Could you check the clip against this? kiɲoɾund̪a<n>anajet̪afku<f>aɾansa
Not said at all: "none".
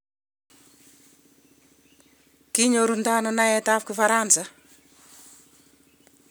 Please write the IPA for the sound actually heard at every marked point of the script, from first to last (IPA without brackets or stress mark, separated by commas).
n, f